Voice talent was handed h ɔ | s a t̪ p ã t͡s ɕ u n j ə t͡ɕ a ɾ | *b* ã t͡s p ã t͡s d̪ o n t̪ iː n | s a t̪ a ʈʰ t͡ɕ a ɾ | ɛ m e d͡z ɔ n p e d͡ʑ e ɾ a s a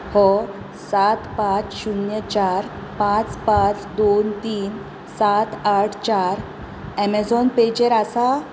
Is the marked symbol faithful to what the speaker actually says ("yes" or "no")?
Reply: no